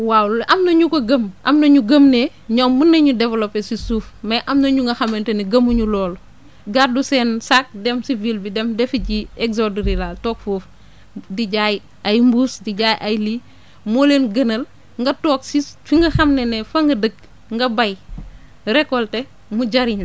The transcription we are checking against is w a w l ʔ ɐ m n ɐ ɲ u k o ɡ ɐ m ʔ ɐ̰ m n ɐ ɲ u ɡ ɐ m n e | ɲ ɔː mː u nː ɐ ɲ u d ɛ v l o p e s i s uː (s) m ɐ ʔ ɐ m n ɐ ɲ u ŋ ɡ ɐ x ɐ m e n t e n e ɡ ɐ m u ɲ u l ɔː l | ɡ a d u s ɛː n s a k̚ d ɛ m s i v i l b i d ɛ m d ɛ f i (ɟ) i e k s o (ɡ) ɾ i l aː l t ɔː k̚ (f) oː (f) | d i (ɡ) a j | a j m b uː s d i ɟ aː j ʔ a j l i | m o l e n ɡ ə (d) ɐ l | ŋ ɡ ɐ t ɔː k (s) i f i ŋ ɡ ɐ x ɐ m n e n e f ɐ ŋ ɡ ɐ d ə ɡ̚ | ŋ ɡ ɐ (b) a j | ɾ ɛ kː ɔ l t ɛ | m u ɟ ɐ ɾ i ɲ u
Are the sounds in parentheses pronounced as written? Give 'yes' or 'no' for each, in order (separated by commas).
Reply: no, yes, no, yes, yes, no, no, yes, yes